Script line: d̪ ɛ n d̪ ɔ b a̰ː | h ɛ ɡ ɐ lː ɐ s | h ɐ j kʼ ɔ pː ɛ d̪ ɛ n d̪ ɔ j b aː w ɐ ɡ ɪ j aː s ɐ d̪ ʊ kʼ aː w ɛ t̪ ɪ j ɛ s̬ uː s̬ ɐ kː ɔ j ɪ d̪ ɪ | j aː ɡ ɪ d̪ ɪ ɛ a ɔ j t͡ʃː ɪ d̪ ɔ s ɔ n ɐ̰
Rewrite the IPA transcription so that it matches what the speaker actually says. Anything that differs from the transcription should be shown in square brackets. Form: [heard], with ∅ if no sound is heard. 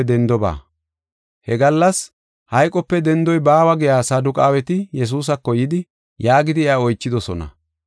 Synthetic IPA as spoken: d̪ ɛ n d̪ ɔ b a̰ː | h ɛ ɡ ɐ lː ɐ s | h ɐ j kʼ ɔ pː ɛ d̪ ɛ n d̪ ɔ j b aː w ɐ ɡ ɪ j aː s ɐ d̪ ʊ kʼ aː w ɛ t̪ ɪ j ɛ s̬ uː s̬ ɐ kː ɔ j ɪ d̪ ɪ | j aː ɡ ɪ d̪ ɪ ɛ a ɔ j t͡ʃː ɪ d̪ ɔ s ɔ n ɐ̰